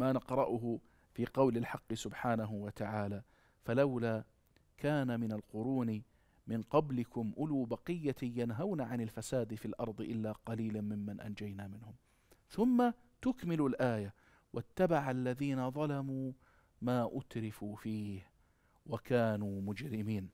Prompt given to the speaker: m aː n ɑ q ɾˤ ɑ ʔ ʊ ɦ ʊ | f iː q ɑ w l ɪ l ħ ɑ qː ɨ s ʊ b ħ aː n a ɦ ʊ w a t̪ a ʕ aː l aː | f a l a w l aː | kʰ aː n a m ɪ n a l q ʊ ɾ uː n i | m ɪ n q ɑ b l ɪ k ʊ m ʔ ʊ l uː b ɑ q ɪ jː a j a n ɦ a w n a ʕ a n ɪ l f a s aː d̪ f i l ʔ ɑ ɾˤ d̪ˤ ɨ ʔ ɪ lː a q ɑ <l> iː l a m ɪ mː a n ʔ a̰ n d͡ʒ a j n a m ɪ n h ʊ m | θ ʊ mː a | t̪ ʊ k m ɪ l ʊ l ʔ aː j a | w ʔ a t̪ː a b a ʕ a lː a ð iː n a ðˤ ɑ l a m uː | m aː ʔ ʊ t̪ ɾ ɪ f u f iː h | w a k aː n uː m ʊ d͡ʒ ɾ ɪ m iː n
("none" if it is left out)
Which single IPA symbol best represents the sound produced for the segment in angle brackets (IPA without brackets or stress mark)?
l